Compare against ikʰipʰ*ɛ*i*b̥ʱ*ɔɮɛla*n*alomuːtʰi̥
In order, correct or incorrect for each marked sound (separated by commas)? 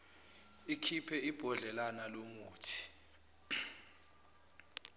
correct, correct, correct